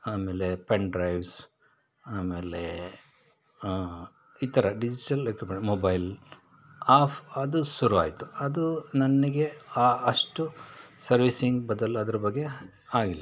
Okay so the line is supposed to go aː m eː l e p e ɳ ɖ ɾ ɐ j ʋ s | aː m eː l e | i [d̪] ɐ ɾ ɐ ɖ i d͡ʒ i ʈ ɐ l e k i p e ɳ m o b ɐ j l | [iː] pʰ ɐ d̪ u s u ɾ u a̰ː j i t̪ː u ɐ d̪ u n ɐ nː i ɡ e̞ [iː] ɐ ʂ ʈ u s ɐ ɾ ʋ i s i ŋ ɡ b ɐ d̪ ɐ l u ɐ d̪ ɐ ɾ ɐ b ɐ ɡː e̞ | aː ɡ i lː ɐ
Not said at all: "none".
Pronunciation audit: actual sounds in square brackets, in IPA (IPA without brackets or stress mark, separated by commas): t̪, aː, aː